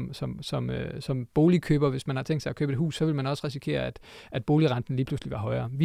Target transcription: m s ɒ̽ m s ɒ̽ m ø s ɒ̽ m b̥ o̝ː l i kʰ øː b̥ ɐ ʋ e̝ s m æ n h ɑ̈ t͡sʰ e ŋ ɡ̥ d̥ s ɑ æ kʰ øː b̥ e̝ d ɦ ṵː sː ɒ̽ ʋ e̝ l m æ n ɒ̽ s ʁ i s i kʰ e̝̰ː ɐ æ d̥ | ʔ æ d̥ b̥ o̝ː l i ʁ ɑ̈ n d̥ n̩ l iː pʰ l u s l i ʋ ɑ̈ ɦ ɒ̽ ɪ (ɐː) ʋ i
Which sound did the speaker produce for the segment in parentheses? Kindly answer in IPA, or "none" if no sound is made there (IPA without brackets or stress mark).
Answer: ɐː